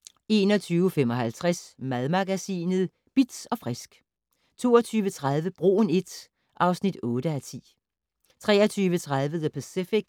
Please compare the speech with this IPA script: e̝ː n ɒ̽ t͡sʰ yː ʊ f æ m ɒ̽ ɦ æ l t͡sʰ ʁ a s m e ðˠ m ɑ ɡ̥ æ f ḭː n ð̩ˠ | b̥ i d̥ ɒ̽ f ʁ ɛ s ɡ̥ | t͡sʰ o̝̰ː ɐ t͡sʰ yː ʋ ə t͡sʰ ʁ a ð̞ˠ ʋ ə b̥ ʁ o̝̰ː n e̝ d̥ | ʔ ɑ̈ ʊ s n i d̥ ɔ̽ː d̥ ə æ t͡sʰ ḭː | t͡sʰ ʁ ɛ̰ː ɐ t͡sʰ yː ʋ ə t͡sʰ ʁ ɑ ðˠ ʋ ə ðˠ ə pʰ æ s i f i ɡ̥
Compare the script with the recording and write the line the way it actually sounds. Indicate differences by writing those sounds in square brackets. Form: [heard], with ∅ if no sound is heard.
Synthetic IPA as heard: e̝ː n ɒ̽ t͡sʰ yː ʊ f [e] m ɒ̽ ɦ æ l t͡sʰ ʁ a s m [æ] ðˠ m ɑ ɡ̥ æ [s] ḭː n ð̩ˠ | b̥ i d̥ ɒ̽ f ʁ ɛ s ɡ̥ | t͡sʰ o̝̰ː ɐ t͡sʰ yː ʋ ə t͡sʰ ʁ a ð̞ˠ ʋ ə b̥ ʁ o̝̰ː n e̝ d̥ | ʔ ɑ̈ ʊ s n i d̥ ɔ̽ː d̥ ə æ t͡sʰ ḭː | t͡sʰ ʁ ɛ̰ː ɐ t͡sʰ yː ʋ ə t͡sʰ ʁ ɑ ðˠ ʋ ə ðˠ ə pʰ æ s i f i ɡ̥